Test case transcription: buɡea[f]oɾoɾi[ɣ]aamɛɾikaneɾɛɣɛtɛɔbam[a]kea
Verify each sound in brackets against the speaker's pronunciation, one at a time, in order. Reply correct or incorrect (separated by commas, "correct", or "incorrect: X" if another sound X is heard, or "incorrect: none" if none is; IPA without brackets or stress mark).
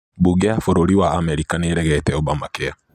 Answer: correct, incorrect: w, correct